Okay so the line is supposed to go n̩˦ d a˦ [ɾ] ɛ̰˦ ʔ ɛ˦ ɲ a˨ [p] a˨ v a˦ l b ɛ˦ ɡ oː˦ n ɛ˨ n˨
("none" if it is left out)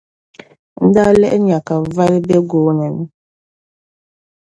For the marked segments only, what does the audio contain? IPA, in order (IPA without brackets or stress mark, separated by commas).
l, k